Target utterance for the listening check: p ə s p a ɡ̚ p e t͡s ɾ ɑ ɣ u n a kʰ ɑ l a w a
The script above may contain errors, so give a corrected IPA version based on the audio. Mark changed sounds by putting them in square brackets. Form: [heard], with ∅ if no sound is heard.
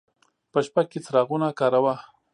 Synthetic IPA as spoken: p ə [ʃ] p a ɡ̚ [k] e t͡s ɾ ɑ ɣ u n a [k] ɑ [ɾ] a w a